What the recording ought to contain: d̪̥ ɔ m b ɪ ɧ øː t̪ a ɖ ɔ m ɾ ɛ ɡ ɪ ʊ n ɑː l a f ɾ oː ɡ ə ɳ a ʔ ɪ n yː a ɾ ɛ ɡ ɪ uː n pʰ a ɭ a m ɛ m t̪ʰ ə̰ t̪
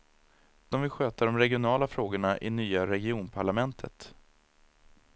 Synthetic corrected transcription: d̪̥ ɔ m v ɪ ɧ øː t̪ a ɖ ɔ m ɾ ɛ ɡ ɪ ʊ n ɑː l a f ɾ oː ɡ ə ɳ a ʔ ɪ n yː a ɾ ɛ ɡ ɪ uː n pʰ a ɭ a m ɛ n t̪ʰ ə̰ t̪